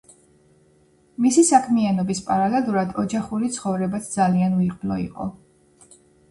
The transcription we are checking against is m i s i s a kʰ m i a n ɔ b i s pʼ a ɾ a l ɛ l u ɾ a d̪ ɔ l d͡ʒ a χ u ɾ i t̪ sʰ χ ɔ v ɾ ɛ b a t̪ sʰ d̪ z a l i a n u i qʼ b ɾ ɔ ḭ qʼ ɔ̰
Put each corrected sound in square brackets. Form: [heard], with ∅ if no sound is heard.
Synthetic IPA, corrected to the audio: m i s i s a kʰ m i a n ɔ b i s pʼ a ɾ a l ɛ l u ɾ a d̪ ɔ [∅] d͡ʒ a χ u ɾ i t̪ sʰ χ ɔ v ɾ ɛ b a t̪ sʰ d̪ z a l i a n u i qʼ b [l] ɔ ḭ qʼ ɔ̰